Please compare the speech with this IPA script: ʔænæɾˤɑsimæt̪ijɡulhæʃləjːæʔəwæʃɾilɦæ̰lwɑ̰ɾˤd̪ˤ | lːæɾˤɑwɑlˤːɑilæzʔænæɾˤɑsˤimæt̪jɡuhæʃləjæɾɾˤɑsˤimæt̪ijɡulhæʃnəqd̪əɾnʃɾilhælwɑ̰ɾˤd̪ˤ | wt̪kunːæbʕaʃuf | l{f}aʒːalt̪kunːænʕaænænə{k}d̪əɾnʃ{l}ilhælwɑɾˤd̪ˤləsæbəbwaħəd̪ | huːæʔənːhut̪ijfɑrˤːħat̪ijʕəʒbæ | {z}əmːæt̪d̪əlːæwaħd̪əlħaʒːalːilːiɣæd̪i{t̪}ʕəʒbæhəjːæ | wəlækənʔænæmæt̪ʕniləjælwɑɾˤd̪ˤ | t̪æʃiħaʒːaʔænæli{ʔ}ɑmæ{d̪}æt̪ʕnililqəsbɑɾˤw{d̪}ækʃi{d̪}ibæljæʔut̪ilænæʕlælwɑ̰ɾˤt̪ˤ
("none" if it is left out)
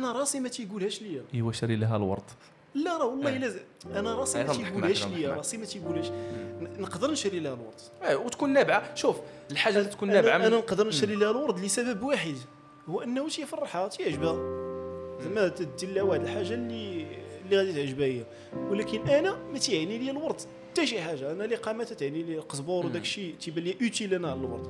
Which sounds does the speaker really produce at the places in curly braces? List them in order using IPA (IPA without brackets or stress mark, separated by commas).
ħ, q, ɾ, z, t̪, q, t̪, d̪, t̪